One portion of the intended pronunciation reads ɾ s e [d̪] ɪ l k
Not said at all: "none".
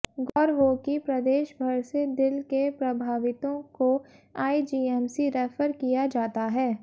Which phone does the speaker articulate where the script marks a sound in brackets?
d̪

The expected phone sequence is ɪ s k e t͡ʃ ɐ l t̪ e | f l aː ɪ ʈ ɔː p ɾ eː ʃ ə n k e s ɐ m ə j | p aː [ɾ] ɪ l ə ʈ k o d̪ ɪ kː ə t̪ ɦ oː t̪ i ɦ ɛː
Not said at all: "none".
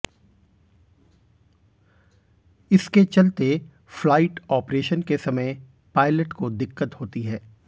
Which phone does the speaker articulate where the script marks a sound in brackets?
none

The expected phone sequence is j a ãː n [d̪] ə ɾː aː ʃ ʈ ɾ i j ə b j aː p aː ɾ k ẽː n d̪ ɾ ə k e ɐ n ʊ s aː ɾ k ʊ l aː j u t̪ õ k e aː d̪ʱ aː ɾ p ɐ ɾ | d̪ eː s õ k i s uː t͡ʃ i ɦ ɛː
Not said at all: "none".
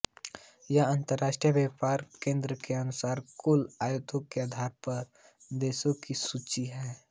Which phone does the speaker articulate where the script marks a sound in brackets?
t̪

